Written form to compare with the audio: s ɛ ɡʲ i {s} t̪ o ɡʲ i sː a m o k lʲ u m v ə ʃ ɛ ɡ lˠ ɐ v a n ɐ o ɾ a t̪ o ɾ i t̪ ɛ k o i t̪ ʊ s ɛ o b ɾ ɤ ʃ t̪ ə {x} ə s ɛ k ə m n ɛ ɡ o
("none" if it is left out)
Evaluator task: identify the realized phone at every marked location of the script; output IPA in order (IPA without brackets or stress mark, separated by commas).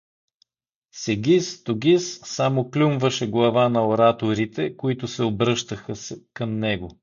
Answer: s, x